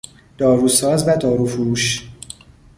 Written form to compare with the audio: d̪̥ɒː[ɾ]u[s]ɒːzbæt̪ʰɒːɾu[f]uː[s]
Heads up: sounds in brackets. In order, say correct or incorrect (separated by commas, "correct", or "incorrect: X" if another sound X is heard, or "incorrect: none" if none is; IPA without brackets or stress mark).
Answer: correct, correct, correct, incorrect: ʃ